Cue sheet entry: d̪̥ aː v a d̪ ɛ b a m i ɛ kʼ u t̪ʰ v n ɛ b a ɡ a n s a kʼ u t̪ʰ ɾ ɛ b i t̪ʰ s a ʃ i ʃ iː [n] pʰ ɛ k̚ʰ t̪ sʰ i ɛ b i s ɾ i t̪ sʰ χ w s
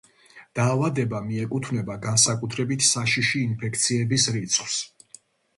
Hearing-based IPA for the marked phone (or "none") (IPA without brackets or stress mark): n